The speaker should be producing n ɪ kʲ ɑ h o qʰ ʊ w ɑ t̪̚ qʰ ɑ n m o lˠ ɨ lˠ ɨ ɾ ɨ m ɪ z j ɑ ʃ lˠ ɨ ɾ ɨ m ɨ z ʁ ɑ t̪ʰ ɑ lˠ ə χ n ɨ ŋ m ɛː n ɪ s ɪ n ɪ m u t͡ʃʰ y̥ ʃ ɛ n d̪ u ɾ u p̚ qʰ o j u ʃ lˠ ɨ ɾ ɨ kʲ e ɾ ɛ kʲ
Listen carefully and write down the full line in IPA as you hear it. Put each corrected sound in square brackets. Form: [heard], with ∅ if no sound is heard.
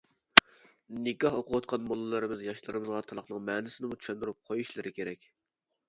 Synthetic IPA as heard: n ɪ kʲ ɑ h o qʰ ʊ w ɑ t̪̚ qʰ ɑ n m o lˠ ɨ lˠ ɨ ɾ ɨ m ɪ z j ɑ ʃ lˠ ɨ ɾ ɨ m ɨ z ʁ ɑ t̪ʰ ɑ lˠ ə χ n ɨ ŋ m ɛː n ɪ s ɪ n ɪ m u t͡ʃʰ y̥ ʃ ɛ n d̪ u ɾ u p̚ qʰ o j u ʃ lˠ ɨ ɾ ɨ kʲ e ɾ ɛ kʲ